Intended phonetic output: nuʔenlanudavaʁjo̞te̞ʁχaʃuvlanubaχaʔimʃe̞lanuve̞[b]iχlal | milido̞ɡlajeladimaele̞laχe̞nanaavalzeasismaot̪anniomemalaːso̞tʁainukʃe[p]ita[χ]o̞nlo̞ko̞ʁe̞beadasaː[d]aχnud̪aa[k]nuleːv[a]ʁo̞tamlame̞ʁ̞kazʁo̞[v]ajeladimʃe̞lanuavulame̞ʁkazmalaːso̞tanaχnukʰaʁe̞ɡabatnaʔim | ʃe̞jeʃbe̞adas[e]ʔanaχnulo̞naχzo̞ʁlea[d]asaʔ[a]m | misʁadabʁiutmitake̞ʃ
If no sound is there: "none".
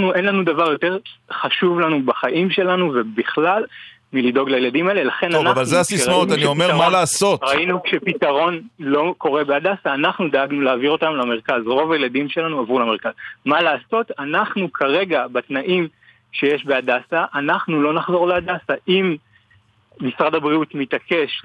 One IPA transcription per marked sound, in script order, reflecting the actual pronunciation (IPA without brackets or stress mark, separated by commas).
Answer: b, p, ʁ, n, ɡ, i, v, a, d, i